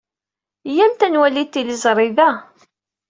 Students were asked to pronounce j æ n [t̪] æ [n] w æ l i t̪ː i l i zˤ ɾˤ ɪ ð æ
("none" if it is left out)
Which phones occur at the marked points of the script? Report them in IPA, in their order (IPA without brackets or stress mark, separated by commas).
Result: t̪, n